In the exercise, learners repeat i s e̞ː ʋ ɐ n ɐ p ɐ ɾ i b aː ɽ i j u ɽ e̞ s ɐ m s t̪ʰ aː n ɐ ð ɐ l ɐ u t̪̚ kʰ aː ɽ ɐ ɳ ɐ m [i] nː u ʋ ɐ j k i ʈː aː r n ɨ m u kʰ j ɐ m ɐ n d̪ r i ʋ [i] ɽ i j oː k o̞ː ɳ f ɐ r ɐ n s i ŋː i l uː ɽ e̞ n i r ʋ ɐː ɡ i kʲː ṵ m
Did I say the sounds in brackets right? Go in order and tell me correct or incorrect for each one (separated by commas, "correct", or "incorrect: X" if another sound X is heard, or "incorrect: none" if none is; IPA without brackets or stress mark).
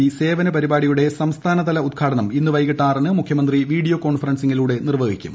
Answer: correct, incorrect: iː